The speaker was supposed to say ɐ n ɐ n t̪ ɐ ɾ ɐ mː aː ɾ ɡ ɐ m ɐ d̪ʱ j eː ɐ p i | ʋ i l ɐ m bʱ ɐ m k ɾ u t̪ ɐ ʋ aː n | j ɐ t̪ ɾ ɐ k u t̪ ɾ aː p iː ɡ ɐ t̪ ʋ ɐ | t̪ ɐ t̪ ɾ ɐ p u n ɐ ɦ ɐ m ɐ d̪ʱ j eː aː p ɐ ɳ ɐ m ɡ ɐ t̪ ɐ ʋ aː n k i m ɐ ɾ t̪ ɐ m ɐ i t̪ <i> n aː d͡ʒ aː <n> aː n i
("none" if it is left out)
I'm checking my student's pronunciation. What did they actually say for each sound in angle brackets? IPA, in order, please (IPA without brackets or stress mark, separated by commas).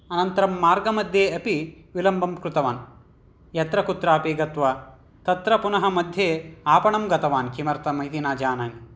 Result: i, n